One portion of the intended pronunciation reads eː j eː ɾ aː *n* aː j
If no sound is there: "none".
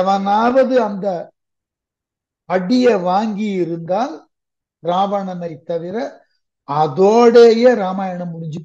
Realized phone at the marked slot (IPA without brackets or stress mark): m